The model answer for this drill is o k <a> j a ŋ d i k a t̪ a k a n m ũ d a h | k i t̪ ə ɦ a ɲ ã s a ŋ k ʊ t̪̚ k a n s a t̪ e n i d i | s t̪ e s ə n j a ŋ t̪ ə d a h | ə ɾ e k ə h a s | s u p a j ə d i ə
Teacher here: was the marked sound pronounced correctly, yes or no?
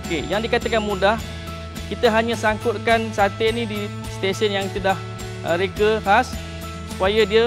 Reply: no